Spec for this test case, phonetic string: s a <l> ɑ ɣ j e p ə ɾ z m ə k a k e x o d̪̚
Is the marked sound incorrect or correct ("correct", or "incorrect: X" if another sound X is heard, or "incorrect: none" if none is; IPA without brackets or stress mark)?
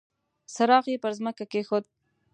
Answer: incorrect: ɾ